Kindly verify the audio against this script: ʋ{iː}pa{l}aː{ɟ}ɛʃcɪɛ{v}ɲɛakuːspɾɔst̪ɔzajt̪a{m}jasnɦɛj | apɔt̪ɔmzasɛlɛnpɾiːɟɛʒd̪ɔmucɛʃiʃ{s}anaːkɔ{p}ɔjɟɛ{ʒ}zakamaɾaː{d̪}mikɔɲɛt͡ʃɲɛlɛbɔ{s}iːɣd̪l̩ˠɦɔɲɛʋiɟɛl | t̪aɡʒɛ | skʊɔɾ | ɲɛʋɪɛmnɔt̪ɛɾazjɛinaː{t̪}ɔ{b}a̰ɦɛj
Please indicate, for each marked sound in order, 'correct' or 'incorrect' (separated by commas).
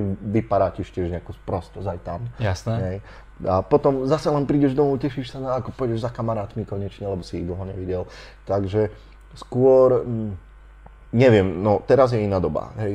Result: incorrect, incorrect, incorrect, incorrect, correct, correct, correct, correct, incorrect, correct, incorrect, correct